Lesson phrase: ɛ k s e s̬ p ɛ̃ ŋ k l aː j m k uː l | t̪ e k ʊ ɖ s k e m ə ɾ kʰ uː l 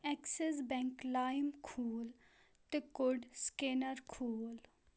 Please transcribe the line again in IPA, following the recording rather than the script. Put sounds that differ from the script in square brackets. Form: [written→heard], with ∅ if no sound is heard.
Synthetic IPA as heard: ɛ k s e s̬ [p→b] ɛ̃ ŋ k l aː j m [k→kʰ] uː l | t̪ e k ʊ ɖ s k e [m→n] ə ɾ kʰ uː l